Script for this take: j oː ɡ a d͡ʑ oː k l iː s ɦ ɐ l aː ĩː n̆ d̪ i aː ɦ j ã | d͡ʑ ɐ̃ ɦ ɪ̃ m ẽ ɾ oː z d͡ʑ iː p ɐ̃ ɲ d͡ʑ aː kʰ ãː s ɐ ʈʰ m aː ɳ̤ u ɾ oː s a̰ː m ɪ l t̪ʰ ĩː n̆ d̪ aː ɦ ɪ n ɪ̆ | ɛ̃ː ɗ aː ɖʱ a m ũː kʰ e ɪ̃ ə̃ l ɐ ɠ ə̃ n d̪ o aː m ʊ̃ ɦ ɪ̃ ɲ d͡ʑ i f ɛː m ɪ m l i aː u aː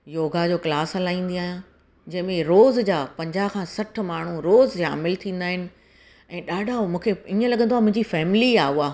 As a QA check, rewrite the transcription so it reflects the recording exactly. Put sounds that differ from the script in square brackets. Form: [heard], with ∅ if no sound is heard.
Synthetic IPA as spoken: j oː ɡ a d͡ʑ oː k l [aː] s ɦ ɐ l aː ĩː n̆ d̪ i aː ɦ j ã | d͡ʑ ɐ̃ ɦ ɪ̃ m ẽ ɾ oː z d͡ʑ [aː] p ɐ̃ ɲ d͡ʑ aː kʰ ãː s ɐ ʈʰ m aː ɳ̤ u ɾ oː [z] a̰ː m ɪ l t̪ʰ ĩː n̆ d̪ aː ɦ ɪ n ɪ̆ | ɛ̃ː ɗ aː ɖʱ a m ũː kʰ e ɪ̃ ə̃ l ɐ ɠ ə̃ n d̪ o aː m ʊ̃ ɦ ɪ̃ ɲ d͡ʑ i f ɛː m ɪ [∅] l i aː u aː